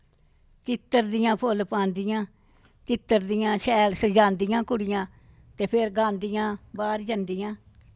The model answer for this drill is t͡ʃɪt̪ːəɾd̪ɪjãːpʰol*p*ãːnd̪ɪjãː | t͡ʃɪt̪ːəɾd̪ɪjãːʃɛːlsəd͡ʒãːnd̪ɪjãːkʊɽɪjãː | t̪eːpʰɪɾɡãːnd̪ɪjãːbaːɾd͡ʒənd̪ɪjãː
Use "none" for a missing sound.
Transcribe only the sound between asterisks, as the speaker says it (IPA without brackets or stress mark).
p